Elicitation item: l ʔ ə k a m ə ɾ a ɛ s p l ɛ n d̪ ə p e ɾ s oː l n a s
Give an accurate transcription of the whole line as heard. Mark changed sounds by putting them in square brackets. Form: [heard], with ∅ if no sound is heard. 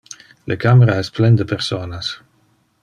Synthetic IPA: l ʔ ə k a m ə ɾ a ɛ s p l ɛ n d̪ ə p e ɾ s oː [∅] n a s